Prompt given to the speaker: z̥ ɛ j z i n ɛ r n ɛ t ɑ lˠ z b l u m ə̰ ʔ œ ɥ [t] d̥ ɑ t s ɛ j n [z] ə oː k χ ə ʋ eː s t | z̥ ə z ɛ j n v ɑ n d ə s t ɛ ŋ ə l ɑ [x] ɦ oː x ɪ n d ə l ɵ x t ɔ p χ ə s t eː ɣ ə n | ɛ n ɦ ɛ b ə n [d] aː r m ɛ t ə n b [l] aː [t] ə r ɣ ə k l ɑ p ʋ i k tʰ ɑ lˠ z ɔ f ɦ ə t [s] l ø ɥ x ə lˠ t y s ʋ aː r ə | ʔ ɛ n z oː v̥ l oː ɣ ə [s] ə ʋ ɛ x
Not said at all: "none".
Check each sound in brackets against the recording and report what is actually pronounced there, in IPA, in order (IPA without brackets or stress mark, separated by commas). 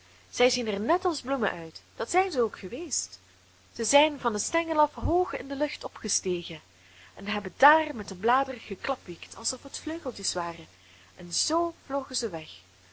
t, z, f, d, l, d, f, z